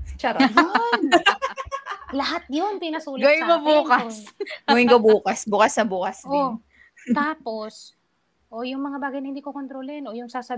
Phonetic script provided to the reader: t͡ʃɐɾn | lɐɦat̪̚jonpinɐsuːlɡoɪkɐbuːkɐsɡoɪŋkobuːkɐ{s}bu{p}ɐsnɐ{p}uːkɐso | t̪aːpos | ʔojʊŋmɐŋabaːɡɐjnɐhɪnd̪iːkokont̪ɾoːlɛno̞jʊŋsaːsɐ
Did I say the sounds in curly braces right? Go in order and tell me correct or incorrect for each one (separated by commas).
correct, incorrect, incorrect